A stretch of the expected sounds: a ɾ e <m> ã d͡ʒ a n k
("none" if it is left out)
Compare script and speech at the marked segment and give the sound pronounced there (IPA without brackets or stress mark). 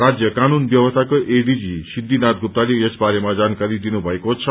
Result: m